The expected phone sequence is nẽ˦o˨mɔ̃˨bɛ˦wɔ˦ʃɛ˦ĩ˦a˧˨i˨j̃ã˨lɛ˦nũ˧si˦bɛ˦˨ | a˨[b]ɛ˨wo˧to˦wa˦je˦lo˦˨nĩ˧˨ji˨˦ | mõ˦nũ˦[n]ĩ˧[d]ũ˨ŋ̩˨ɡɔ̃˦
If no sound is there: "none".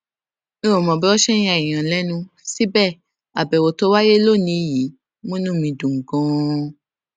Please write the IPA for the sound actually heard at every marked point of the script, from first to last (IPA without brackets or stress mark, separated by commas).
b, m, d